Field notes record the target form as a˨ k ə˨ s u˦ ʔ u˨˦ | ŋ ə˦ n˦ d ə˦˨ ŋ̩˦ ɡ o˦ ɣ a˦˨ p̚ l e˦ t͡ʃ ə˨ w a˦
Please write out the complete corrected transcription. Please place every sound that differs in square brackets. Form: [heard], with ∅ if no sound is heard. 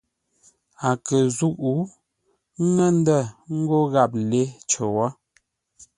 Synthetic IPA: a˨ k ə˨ [z] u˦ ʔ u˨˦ | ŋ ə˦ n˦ d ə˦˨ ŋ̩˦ ɡ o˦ ɣ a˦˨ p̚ l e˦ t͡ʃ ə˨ w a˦